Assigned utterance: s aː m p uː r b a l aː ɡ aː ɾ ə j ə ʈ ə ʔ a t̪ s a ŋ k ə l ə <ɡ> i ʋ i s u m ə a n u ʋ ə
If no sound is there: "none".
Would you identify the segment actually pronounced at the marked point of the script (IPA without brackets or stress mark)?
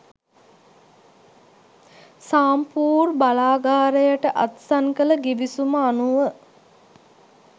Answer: ɡ